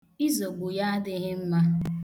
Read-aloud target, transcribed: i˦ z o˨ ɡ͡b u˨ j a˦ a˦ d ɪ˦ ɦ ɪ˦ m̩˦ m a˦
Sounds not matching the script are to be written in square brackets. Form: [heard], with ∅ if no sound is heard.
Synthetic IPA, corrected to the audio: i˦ z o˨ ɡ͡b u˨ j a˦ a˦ d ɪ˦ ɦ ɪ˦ m̩˦ m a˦